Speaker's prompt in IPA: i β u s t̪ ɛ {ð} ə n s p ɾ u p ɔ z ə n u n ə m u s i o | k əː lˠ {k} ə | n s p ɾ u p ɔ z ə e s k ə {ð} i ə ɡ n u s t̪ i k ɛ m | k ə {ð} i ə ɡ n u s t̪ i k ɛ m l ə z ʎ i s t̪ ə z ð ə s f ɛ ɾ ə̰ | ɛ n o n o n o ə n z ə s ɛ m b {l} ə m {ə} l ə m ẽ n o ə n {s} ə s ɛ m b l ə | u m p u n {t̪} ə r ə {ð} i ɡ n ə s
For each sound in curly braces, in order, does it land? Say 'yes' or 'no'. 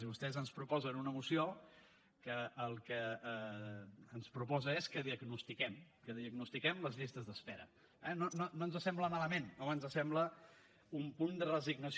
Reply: no, yes, yes, yes, yes, no, no, no, no

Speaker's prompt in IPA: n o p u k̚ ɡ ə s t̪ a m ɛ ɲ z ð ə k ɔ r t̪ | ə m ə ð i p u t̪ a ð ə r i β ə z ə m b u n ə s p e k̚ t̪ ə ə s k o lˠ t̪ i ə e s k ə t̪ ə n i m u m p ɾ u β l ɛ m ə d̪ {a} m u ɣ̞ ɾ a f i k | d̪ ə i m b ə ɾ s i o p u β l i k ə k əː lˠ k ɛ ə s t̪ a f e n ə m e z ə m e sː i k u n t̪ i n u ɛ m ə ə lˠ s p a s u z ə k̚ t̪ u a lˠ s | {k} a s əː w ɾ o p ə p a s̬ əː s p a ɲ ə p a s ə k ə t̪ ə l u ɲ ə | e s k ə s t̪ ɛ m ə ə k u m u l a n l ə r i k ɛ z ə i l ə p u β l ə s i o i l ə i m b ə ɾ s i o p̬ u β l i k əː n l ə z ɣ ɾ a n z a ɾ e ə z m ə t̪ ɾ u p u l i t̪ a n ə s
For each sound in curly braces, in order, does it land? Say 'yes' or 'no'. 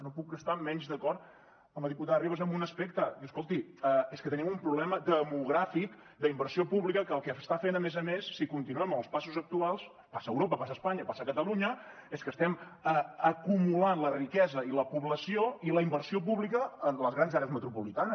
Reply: no, no

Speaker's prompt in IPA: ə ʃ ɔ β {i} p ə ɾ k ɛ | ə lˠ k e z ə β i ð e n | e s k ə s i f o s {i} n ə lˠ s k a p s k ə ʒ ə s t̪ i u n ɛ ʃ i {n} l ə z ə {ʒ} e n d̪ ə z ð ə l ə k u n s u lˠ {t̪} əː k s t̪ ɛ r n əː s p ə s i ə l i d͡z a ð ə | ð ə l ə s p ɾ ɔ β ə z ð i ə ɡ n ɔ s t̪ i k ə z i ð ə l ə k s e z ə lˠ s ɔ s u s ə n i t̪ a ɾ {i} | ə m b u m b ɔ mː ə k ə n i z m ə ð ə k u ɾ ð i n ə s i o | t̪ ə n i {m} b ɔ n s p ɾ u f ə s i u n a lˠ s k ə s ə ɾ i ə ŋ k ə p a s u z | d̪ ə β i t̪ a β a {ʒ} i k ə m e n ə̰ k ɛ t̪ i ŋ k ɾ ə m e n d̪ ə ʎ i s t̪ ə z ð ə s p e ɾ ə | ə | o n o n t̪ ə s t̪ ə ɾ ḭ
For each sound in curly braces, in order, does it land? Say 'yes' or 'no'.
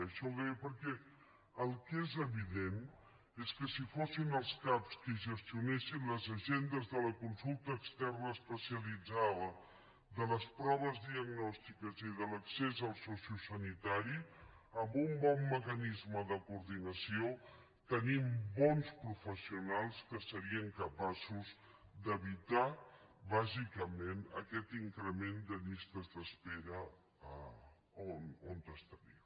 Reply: no, yes, yes, yes, yes, yes, yes, no

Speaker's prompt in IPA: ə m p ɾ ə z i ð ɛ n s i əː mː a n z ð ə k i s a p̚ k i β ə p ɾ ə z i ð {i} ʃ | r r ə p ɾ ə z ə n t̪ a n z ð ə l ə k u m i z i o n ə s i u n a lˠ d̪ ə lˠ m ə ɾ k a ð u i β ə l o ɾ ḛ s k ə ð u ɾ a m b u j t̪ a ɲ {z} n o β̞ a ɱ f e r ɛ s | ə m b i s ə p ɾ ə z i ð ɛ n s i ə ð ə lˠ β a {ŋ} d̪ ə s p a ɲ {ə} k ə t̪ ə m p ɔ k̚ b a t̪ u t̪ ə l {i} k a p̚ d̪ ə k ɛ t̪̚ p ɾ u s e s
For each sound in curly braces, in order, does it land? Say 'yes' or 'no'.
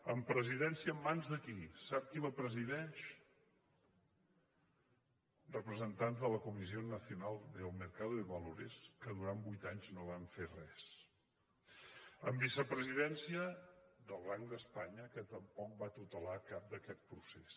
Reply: no, yes, yes, yes, no

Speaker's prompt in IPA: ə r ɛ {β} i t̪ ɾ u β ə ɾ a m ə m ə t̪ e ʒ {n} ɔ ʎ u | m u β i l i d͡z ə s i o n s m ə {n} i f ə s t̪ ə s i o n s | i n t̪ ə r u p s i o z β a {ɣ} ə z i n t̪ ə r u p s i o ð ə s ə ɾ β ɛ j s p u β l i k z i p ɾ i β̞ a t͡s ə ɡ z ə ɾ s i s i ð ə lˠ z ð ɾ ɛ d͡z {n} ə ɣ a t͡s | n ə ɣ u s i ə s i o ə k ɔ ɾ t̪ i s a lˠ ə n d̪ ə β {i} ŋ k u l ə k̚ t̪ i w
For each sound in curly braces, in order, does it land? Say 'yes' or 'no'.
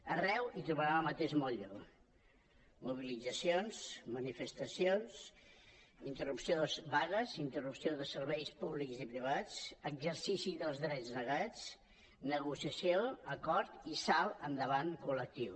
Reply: no, no, yes, yes, yes, no

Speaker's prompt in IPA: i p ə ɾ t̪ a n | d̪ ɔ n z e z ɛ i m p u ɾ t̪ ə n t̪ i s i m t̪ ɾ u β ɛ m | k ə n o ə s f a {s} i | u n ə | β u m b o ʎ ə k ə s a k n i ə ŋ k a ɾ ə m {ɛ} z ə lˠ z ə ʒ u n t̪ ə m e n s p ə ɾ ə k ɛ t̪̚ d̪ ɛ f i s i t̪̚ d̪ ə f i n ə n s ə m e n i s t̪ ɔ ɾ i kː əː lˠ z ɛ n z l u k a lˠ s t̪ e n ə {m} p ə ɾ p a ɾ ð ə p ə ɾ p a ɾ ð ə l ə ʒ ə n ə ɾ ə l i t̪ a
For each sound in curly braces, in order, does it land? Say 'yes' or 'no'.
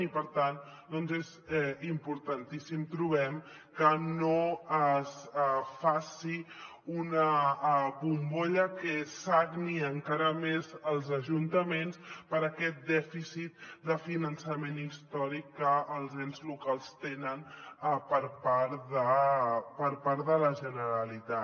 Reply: yes, no, no

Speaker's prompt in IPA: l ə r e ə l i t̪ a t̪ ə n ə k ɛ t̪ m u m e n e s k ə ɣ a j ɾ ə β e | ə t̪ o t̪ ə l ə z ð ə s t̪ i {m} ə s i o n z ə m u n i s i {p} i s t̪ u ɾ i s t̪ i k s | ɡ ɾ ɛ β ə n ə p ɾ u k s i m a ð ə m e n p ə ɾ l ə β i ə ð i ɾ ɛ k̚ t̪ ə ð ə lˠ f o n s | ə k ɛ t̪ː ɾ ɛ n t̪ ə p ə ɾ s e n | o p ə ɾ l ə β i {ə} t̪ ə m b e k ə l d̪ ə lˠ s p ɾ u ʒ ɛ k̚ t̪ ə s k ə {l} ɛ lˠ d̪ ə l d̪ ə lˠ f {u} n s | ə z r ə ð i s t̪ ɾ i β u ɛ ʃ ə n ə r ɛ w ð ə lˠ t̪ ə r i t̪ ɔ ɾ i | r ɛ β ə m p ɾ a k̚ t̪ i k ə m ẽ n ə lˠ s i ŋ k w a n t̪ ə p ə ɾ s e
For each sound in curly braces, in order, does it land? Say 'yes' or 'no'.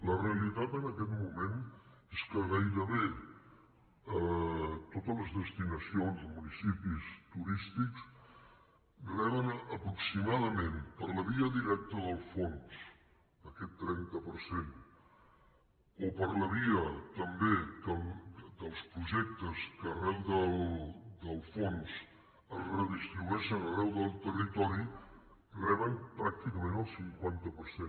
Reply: no, yes, yes, no, no

